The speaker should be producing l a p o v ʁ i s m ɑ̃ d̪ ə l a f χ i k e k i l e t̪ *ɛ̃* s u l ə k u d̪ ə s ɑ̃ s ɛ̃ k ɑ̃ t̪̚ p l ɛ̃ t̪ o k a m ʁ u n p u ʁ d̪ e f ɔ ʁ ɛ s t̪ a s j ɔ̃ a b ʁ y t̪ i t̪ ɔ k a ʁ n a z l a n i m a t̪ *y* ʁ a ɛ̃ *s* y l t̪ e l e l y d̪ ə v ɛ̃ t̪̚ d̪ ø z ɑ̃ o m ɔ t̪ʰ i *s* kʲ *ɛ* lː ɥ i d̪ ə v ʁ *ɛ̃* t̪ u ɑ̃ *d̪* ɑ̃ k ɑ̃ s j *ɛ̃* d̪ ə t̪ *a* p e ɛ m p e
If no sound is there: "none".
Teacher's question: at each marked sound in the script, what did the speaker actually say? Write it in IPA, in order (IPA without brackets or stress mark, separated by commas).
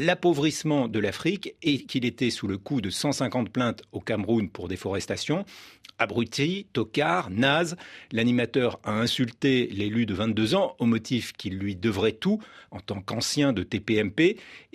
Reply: ɛ, œ, s, f, i, ɛ, t̪, ɛ̃, e